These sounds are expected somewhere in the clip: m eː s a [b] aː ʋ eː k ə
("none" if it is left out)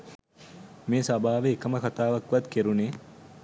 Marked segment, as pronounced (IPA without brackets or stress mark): b